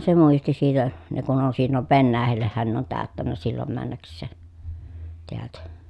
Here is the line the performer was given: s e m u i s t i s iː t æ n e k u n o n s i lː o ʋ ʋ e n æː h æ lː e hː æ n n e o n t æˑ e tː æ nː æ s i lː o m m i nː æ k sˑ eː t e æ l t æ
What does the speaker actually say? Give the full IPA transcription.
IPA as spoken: s e m u i s t i s iː t æ n e k u n o n s i lː o ʋ ʋ e nː æː h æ lː e hː æ n n e o n t æˑ ø tː æ nː æ s i lː o m m æ nː æ k sˑ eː t e æ l t æ